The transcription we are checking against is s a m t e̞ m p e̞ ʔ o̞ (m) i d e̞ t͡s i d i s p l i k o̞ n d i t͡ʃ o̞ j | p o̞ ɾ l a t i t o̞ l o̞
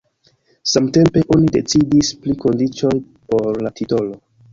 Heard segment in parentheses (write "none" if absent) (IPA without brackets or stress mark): n